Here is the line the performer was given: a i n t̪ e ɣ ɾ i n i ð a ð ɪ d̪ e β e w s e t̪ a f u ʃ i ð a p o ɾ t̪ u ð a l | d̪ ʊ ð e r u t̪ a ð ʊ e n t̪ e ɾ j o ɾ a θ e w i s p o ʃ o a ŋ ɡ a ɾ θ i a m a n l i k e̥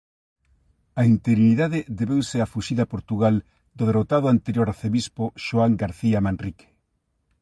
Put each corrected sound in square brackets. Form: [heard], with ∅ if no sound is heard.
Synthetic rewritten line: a i n t̪ e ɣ ɾ i n i ð a ð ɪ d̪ e β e w s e [∅] a f u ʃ i ð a p o ɾ t̪ u [ɣ] a l | d̪ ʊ ð e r [o] t̪ a ð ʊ [a] n t̪ e ɾ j o ɾ a θ e [β] i s p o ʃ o a ŋ ɡ a ɾ θ i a m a n [r] i k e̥

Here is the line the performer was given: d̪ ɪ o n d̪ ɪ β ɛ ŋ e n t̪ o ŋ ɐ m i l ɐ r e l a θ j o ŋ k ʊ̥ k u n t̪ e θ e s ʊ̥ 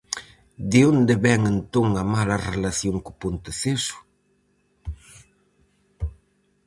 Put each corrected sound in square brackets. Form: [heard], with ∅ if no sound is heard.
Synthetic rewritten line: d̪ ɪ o n d̪ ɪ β ɛ ŋ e n t̪ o ŋ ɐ m [a] l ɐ r e l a θ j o ŋ k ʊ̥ [p] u n t̪ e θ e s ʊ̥

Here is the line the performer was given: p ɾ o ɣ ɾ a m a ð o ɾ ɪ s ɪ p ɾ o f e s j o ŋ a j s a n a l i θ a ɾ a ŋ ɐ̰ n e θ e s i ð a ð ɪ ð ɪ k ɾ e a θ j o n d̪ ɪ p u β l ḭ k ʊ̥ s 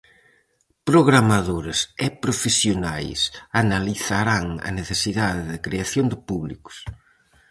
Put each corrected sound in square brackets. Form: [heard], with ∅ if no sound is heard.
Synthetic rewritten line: p ɾ o ɣ ɾ a m a ð o ɾ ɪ s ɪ p ɾ o f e s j o [n] a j s a n a l i θ a ɾ a ŋ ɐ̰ n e θ e s i ð a ð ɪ ð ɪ k ɾ e a θ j o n d̪ ɪ p u β l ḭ k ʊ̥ s

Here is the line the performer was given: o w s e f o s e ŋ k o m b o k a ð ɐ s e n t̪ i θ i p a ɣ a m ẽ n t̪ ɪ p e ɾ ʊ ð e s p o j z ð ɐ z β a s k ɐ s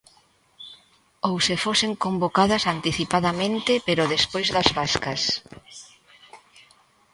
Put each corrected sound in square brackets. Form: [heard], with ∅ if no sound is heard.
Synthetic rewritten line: o w s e f o s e ŋ k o m b o k a ð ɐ s [a] n t̪ i θ i p a [ð] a m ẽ n t̪ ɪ p e ɾ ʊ ð e s p o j z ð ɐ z β a s k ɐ s

